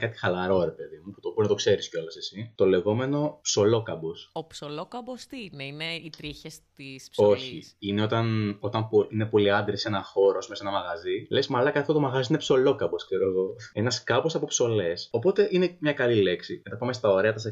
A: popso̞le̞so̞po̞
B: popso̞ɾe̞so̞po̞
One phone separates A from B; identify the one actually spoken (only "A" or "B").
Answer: A